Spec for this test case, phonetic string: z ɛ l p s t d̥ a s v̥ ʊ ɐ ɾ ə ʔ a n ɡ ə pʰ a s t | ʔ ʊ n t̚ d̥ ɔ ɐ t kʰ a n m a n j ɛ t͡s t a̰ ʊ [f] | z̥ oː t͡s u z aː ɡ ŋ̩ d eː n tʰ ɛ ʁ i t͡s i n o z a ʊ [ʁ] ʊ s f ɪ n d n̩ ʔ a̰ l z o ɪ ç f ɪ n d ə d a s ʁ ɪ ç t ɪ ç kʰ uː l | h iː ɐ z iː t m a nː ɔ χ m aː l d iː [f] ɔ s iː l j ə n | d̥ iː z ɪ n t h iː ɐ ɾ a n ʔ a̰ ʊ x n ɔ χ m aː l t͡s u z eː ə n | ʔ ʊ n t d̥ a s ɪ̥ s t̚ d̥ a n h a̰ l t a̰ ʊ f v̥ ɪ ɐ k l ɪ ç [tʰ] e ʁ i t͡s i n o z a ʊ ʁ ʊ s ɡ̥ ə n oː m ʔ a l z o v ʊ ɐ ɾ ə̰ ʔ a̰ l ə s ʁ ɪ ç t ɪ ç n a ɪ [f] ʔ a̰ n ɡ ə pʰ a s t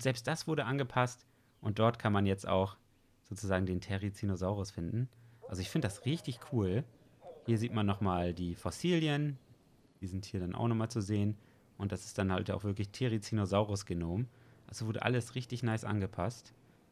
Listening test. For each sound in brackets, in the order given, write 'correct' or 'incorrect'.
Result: incorrect, correct, correct, correct, incorrect

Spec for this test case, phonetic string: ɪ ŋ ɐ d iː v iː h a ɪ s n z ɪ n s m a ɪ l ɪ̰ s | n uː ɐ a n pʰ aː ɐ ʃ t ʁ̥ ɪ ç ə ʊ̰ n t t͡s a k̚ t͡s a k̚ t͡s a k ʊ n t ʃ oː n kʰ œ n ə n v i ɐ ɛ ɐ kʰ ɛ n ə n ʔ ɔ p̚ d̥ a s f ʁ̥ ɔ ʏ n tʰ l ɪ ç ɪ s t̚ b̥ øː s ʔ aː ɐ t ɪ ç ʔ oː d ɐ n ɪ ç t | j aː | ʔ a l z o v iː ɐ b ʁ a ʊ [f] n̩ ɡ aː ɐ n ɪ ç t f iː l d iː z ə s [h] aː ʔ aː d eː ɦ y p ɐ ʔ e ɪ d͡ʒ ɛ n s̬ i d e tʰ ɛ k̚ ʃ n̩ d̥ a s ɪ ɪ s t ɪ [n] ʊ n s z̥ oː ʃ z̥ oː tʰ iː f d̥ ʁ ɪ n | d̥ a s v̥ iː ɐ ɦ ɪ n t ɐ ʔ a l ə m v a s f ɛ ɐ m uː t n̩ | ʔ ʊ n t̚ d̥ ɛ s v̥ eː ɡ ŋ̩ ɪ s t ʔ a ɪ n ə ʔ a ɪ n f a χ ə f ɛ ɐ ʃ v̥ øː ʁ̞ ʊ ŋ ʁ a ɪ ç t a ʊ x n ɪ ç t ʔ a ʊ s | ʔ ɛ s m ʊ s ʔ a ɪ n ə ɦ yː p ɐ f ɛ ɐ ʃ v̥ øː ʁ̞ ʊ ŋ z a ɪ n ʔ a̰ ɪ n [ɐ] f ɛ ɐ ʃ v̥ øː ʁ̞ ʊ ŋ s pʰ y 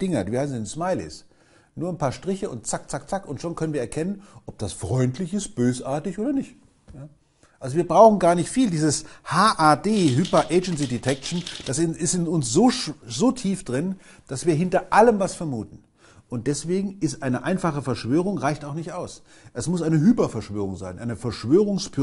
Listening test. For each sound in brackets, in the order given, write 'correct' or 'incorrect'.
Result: incorrect, correct, correct, incorrect

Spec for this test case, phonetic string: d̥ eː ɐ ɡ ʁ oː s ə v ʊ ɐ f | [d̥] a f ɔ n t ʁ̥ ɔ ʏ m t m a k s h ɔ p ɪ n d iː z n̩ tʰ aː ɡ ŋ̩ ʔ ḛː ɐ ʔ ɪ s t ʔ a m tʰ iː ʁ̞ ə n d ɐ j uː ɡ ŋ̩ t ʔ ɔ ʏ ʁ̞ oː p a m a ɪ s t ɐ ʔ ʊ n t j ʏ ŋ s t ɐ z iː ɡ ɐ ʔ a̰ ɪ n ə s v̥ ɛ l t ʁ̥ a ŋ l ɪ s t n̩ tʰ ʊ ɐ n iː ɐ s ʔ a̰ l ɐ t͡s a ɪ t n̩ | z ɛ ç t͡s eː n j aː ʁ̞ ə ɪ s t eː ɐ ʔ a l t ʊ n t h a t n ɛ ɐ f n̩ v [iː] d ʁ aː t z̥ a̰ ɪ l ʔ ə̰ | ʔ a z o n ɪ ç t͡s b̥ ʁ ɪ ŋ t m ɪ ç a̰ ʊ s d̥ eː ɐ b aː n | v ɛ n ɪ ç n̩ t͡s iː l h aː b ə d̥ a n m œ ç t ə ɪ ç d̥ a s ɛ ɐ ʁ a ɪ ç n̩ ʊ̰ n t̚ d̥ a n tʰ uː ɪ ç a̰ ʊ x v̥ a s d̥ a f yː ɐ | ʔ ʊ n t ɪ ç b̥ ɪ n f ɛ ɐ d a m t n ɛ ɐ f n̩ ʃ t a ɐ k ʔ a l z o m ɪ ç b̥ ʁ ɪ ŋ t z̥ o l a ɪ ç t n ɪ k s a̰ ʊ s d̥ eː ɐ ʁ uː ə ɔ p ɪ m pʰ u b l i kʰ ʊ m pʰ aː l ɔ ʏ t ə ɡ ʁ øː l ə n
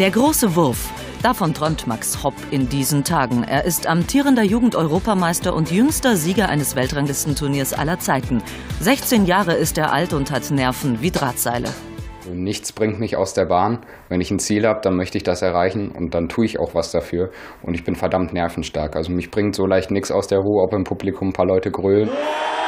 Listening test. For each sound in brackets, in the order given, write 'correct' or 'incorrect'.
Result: correct, correct

